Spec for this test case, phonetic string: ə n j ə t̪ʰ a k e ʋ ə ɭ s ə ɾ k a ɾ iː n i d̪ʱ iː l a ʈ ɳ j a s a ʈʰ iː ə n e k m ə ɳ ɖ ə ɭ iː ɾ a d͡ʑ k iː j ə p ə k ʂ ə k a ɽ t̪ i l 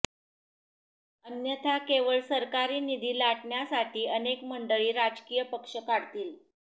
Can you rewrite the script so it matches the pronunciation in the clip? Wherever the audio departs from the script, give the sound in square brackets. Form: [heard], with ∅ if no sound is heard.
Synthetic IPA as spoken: ə n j ə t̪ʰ a k e ʋ ə ɭ s ə ɾ k a ɾ iː n i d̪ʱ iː l a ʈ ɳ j a s a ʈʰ iː ə n e k m ə ɳ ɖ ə ɭ iː ɾ a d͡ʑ k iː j ə p ə k ʂ ə k a ɽ t̪ [iː] l